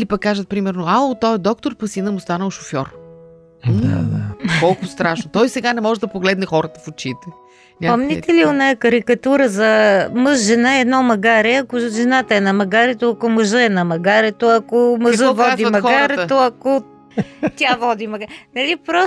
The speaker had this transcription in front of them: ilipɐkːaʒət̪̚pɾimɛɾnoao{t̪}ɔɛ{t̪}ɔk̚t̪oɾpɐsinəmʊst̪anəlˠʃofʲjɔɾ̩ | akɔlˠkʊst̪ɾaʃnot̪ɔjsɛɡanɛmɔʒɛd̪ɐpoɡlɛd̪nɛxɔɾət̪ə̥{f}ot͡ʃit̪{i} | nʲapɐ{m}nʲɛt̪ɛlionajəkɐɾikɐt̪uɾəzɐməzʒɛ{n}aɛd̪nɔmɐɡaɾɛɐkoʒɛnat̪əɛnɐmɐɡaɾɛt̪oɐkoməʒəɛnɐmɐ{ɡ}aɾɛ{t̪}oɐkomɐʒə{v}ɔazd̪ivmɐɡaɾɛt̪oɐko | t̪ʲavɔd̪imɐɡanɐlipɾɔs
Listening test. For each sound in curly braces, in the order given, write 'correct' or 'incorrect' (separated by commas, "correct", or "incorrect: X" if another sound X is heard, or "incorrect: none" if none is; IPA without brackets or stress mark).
correct, incorrect: d̪, correct, incorrect: ɛ, correct, correct, correct, correct, correct